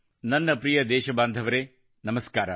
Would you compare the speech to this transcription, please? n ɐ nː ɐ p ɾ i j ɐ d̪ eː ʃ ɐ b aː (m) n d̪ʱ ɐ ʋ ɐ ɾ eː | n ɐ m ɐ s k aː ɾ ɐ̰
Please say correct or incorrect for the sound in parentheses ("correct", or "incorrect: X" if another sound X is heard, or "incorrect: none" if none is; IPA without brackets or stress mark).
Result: incorrect: none